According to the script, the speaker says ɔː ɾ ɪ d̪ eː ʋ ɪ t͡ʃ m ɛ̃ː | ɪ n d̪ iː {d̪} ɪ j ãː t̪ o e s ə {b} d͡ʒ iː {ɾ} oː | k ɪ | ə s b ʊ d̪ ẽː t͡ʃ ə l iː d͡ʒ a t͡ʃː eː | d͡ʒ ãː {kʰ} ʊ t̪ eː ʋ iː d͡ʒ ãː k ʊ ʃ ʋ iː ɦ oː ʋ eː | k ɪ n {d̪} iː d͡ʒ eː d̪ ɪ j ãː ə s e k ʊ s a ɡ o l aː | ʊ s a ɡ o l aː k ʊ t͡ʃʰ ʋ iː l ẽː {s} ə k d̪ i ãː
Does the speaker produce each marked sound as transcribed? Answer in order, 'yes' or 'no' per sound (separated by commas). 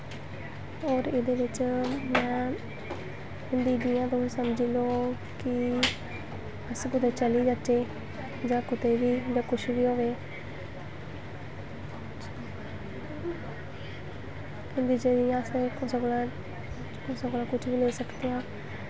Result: yes, no, no, no, yes, yes